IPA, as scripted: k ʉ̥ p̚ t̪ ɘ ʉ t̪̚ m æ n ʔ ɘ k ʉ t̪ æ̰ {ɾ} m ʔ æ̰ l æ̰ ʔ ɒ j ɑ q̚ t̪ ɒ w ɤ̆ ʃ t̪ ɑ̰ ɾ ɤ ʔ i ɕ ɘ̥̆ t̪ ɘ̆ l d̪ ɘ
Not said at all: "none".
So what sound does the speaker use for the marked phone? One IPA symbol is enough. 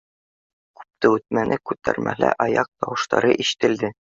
ɾ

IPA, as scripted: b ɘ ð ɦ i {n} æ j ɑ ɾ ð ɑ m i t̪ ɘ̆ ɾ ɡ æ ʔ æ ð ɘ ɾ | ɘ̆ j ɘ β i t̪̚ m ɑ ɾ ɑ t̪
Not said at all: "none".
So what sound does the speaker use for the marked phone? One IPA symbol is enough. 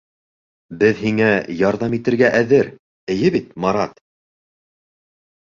ŋ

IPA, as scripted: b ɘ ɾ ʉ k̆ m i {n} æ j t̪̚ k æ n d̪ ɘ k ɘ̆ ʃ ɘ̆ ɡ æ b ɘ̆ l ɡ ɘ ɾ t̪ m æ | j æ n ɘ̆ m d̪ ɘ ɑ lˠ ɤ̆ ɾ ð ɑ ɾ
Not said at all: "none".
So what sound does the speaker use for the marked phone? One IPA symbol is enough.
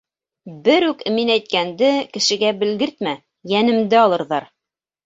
n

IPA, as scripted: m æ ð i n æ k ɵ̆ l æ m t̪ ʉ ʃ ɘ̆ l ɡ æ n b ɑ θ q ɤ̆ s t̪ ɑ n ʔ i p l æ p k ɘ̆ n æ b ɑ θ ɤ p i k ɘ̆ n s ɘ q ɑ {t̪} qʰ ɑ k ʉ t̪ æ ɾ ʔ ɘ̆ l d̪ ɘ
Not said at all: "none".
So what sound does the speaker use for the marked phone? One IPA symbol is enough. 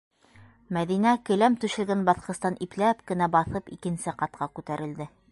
t̪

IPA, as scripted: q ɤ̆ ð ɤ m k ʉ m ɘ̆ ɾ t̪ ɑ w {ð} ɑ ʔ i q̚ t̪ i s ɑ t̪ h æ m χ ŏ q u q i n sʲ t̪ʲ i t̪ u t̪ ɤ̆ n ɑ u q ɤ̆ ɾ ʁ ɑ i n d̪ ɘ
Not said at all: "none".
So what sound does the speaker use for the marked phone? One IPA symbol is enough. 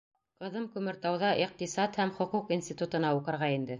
ð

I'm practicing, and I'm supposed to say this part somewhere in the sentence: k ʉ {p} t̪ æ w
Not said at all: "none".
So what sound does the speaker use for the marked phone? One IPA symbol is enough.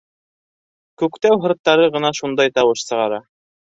k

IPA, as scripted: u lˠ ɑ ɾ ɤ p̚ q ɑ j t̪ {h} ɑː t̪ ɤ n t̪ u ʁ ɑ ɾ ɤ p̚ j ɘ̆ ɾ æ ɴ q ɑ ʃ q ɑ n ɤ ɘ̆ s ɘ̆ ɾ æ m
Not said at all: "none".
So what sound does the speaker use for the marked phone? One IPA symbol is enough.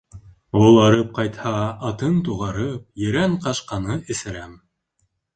h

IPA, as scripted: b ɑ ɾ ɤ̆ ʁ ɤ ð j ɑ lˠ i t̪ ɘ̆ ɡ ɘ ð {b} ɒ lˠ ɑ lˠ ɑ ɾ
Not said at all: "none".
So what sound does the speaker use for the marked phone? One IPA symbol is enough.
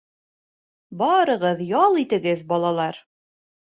b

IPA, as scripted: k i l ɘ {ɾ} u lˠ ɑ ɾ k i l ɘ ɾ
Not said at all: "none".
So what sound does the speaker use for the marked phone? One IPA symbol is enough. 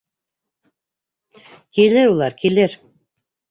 ɾ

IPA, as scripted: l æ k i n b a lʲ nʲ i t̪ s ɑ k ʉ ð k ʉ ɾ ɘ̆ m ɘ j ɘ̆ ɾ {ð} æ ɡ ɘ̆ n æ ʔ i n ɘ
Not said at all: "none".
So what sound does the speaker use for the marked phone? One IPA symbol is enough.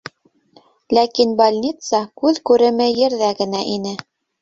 ð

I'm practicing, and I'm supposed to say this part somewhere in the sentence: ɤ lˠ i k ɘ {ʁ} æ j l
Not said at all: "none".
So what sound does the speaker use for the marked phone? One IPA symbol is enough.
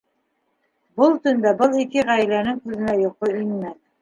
ʁ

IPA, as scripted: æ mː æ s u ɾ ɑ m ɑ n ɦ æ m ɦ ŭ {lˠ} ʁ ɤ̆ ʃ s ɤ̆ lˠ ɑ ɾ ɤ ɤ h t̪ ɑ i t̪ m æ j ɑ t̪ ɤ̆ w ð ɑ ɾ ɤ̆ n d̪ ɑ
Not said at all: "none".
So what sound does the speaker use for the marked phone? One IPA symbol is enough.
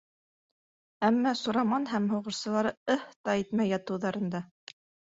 none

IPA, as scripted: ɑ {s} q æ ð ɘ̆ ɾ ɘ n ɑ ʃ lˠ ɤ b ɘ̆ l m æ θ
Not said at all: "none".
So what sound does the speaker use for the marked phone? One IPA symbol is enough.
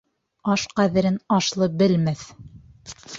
ʃ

